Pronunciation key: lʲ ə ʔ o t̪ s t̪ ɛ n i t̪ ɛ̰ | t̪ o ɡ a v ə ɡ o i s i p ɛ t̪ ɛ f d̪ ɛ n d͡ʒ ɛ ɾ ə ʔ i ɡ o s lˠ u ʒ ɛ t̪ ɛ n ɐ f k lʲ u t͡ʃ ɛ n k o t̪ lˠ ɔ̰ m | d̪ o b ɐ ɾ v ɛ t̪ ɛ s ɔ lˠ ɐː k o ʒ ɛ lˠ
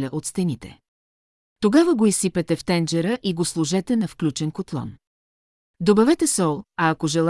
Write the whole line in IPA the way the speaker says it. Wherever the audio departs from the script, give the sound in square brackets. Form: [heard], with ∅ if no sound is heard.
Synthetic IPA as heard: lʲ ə ʔ o t̪ s t̪ ɛ n i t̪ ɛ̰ | t̪ o ɡ a v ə ɡ o i s i p ɛ t̪ ɛ f [t̪] ɛ n d͡ʒ ɛ ɾ ə ʔ i ɡ o s lˠ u ʒ ɛ t̪ ɛ n ɐ f k lʲ u t͡ʃ ɛ n k o t̪ lˠ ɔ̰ [n] | d̪ o b ɐ [∅] v ɛ t̪ ɛ s ɔ lˠ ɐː k o ʒ ɛ lˠ